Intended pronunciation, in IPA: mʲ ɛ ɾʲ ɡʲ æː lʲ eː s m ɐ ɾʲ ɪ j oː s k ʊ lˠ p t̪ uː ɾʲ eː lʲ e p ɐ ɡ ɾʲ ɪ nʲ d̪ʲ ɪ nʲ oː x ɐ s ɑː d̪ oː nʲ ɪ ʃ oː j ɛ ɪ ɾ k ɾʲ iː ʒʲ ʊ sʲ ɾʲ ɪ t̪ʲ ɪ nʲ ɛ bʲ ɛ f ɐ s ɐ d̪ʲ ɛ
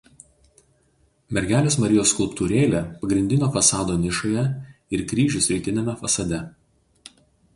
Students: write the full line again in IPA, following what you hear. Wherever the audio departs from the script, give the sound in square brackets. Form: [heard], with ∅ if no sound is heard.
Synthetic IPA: mʲ ɛ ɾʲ ɡʲ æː lʲ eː s m ɐ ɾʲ ɪ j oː s k ʊ lˠ p t̪ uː ɾʲ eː lʲ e p ɐ ɡ ɾʲ ɪ nʲ d̪ʲ ɪ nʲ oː [f] ɐ s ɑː d̪ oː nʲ ɪ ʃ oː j ɛ ɪ ɾ k ɾʲ iː ʒʲ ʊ sʲ ɾʲ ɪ t̪ʲ ɪ nʲ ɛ [mʲ] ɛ f ɐ s ɐ d̪ʲ ɛ

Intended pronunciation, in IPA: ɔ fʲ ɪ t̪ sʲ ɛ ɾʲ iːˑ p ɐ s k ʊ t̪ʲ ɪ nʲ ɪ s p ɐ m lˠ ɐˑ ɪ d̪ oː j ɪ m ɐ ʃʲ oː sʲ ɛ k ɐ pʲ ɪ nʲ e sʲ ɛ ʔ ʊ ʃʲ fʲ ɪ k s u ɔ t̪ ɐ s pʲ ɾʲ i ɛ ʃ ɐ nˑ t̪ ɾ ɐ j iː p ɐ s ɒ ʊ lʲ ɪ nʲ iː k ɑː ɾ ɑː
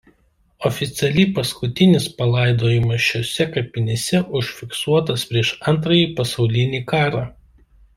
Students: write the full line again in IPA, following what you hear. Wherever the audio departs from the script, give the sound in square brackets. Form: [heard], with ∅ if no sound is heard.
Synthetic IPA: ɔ fʲ ɪ t̪ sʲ ɛ [lʲ] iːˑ p ɐ s k ʊ t̪ʲ ɪ nʲ ɪ s p ɐ [∅] lˠ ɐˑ ɪ d̪ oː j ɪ m ɐ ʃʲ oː sʲ ɛ k ɐ pʲ ɪ nʲ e sʲ ɛ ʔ ʊ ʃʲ fʲ ɪ k s u ɔ t̪ ɐ s pʲ ɾʲ i ɛ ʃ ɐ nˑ t̪ ɾ ɐ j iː p ɐ s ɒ ʊ lʲ ɪ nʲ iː k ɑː ɾ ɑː

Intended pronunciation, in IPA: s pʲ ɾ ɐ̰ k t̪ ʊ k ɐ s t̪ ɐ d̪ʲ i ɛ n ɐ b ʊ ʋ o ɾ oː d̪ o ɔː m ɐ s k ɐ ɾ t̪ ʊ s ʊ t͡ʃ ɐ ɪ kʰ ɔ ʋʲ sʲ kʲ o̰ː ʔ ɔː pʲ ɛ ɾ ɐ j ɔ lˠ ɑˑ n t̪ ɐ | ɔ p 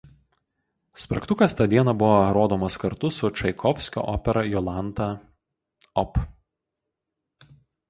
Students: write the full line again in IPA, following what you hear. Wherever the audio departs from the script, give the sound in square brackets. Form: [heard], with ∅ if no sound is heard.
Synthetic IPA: s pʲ ɾ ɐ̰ k t̪ ʊ k ɐ s t̪ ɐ d̪ʲ i ɛ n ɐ b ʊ ʋ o ɾ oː d̪ o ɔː m ɐ s k ɐ ɾ t̪ ʊ s ʊ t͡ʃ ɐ ɪ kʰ ɔ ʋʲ sʲ kʲ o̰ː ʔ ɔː pʲ ɛ ɾ ɐ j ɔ lˠ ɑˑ n t̪ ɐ | ɔ p

